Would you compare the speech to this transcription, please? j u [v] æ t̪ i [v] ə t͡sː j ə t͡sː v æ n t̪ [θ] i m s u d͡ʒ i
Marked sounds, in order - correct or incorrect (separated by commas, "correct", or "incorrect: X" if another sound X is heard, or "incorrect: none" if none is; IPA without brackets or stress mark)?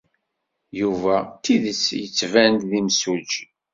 correct, incorrect: ð, incorrect: ð